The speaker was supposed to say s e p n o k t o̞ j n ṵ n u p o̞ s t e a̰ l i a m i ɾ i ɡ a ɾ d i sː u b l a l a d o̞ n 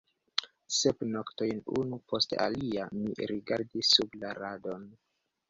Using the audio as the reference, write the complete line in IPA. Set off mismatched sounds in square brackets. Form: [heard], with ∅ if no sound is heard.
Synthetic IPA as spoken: s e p n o k t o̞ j n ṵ n u p o̞ s t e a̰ l i a m i ɾ i ɡ a ɾ d i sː u b l a [ɾ] a d o̞ n